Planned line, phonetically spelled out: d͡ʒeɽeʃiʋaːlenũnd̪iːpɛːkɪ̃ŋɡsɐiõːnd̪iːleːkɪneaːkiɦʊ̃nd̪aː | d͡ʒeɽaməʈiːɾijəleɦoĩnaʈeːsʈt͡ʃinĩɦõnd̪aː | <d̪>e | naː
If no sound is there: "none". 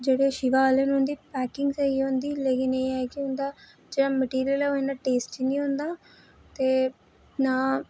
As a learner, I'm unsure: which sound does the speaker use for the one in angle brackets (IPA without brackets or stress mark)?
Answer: t̪